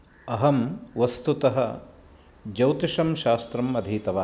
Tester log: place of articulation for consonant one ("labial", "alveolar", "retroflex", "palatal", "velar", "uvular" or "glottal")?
glottal